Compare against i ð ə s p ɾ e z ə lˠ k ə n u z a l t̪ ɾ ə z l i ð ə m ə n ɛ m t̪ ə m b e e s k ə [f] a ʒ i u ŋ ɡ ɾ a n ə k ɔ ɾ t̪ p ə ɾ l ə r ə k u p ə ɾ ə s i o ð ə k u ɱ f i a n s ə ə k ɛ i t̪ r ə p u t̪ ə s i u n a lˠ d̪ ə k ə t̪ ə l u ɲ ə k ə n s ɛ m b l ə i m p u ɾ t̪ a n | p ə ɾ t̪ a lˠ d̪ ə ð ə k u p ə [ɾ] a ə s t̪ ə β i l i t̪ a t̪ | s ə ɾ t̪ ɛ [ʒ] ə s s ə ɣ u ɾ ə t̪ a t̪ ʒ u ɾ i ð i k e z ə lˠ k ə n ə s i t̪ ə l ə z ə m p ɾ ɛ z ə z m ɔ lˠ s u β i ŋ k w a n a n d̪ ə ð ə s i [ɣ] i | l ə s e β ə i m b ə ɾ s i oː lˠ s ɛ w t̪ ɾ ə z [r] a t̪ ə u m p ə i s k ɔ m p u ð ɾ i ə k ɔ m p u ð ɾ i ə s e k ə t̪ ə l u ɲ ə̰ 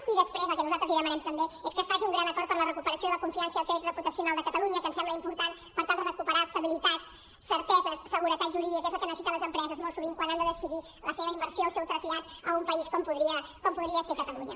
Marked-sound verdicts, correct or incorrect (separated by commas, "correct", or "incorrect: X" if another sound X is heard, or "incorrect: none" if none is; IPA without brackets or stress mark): correct, correct, incorrect: z, incorrect: ð, incorrect: ʎ